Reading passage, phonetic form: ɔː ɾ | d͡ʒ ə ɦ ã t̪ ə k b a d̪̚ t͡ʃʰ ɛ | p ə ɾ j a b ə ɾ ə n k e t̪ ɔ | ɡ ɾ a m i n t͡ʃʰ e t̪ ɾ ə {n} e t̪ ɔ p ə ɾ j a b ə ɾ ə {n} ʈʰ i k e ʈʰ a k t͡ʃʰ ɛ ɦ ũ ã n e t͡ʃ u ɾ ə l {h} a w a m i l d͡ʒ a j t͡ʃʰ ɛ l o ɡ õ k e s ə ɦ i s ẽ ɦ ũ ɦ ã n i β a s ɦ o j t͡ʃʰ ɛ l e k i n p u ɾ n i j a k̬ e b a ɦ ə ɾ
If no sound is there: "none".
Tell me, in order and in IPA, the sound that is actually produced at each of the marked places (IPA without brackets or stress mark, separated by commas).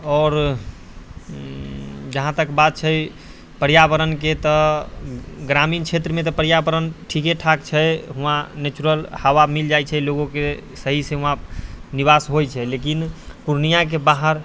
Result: m, n, h